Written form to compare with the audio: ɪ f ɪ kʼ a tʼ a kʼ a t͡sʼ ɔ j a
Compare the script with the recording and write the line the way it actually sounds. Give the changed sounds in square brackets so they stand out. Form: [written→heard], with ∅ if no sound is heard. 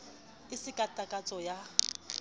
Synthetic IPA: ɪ [f→s] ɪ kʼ a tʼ a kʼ a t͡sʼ ɔ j a